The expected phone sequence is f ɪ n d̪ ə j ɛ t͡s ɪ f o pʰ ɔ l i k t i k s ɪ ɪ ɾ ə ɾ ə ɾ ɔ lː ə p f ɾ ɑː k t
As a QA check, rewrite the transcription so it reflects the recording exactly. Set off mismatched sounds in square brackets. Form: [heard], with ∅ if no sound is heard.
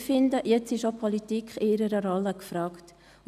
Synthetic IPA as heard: f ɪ n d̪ ə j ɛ t͡s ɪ [ʃ] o pʰ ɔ l i [∅] t i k [χ] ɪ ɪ ɾ ə ɾ ə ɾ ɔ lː ə [k] f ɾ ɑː k t

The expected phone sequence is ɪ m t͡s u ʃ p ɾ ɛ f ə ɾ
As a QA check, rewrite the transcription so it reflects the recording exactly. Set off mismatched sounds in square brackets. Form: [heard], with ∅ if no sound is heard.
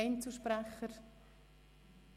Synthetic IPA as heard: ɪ [n] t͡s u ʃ p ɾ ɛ [χ] ə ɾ

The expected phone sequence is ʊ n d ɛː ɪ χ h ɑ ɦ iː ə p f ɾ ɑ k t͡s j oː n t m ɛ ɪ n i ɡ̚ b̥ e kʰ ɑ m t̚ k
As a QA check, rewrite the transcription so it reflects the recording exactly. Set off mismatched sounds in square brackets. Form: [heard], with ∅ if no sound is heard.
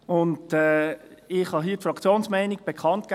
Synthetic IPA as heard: ʊ n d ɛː ɪ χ h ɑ ɦ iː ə [t] f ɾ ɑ k t͡s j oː n [s] m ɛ ɪ n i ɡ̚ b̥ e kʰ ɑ [n] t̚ k

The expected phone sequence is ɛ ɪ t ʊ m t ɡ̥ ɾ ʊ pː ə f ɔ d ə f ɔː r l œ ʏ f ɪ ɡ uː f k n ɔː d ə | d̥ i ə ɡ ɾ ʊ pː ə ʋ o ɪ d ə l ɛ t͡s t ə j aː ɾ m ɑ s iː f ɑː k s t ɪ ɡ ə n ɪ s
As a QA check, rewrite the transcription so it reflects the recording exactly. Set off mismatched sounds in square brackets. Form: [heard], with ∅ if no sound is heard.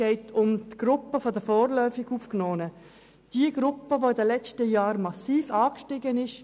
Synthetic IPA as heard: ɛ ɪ t ʊ m t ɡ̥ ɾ ʊ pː ə f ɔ d ə f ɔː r l œ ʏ f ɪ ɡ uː f k n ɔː [n] ə | d̥ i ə ɡ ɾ ʊ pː ə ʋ o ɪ d ə l ɛ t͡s t ə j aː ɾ m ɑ s iː f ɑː k [ʃ] t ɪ ɡ ə n ɪ [ʃ]

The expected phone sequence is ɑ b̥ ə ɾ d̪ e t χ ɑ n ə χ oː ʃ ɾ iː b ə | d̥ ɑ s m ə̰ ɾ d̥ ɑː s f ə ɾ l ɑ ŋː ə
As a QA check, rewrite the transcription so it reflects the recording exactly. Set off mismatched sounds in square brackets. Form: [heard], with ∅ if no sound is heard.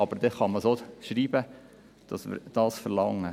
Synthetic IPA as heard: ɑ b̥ ə ɾ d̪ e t χ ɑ [m] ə [s] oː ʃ ɾ iː b ə | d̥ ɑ s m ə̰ ɾ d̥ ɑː s f ə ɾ l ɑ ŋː ə

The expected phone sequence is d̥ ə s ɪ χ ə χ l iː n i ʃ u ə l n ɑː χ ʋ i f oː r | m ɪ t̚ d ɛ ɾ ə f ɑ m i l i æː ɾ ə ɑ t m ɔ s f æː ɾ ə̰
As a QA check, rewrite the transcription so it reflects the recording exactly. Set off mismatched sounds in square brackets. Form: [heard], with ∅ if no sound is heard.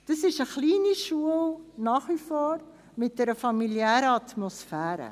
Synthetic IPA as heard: d̥ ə s ɪ [ʃ] ə χ l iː n i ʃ u ə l n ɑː χ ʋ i f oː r | m ɪ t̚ d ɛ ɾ ə f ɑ m i l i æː ɾ ə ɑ t m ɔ s f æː ɾ ə̰

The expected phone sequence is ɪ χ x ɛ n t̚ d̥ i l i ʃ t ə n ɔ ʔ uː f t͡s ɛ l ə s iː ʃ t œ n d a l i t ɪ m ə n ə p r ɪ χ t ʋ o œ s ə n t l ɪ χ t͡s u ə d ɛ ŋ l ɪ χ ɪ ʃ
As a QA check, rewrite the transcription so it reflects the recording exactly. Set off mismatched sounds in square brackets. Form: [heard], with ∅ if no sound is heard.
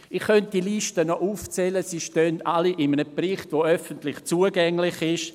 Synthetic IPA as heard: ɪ χ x [œ] n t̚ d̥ i l i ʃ t ə n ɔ ʔ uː f t͡s ɛ l ə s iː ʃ t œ n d a l i [ʔ] ɪ m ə n ə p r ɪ χ t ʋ o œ [f] ə n t l ɪ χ t͡s u ə [ɡ] ɛ ŋ l ɪ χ ɪ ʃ

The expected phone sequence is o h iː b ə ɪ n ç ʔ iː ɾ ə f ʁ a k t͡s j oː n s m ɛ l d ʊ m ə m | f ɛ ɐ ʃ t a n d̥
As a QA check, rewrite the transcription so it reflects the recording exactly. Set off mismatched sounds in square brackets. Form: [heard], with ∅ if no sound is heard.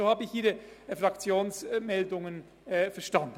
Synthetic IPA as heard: o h [aː] b ə ɪ [∅] ç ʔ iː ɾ ə f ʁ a k t͡s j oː n s m ɛ l d ʊ [ŋ] ə [n] | f ɛ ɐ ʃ t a n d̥

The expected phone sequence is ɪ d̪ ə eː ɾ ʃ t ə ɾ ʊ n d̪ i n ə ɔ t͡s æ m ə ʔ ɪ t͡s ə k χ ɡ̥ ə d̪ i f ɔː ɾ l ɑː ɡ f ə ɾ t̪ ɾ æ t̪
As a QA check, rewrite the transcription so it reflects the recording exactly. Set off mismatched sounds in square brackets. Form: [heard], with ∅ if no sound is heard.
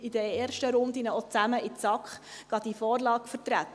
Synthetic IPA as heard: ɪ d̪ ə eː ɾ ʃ t ə ɾ ʊ n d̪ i n ə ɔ t͡s æ m ə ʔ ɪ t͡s [ɑ] k χ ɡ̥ [ɑ] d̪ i f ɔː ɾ l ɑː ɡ f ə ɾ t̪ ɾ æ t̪

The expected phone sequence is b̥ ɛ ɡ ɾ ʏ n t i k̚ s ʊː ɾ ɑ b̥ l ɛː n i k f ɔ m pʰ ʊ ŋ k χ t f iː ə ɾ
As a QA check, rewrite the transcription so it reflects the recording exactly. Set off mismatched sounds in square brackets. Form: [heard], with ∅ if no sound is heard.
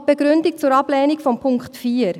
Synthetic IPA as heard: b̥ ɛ ɡ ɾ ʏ n [d] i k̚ [t͡s] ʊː ɾ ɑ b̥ l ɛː n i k f ɔ m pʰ ʊ ŋ k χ t f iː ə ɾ

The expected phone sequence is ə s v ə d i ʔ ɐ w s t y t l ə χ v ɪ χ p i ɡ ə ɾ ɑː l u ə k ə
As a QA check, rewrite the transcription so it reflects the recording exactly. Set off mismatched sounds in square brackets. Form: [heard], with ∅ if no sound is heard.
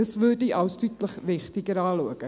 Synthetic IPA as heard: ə s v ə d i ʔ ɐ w s t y t l ə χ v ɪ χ [t] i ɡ ə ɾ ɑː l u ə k ə

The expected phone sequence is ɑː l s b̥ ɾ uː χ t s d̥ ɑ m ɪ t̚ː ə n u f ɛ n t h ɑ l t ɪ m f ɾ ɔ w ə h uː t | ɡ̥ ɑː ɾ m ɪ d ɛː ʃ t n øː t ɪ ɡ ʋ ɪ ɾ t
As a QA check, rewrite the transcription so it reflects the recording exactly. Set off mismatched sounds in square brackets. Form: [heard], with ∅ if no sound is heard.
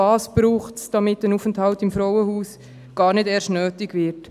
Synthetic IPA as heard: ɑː [∅] s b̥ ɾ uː χ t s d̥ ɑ m ɪ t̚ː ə n u f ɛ n t h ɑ l t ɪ m f ɾ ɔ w ə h uː [s] | ɡ̥ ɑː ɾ [n] ɪ d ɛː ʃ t n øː t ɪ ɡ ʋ ɪ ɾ t

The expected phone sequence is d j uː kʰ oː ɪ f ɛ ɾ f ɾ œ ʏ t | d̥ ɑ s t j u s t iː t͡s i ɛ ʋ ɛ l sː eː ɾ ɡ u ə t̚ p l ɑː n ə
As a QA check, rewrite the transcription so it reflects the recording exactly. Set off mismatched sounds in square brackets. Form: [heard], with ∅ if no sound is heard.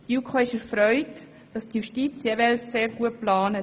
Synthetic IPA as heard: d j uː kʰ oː ɪ [ʃ] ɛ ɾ f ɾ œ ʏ t | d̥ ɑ s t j u [ʃ] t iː t͡s [j] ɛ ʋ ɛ l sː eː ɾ ɡ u ə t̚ p l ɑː n ə

